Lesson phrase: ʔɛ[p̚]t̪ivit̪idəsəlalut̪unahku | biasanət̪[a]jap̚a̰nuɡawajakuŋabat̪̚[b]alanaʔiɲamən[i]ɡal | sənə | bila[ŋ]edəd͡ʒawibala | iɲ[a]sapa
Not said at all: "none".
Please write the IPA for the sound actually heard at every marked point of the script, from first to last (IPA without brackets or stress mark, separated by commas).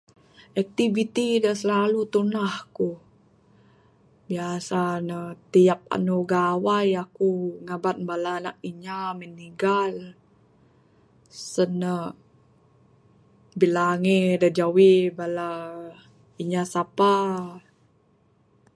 k̚, i, b, i, ŋ, a